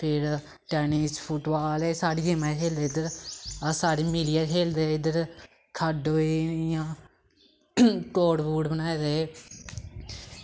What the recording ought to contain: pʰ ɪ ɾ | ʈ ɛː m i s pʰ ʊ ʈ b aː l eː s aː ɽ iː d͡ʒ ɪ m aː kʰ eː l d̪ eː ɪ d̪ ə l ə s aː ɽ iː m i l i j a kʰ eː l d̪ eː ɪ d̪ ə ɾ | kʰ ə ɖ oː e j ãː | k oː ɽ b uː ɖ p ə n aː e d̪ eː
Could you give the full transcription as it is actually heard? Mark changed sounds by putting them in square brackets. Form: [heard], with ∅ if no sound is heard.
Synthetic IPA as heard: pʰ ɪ ɾ | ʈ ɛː [n] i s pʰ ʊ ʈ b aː l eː s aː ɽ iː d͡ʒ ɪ m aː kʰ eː l d̪ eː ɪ d̪ ə [ɾ] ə s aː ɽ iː m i l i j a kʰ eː l d̪ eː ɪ d̪ ə ɾ | kʰ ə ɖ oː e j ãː | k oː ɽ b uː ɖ [b] ə n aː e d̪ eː